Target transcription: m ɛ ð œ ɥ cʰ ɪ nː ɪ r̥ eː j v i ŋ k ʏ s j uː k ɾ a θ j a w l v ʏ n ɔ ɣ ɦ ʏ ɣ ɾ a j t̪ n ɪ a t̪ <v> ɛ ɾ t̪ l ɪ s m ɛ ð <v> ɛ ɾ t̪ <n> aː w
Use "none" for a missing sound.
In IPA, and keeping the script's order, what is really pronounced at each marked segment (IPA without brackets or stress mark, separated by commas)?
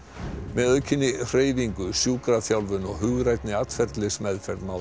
f, f, m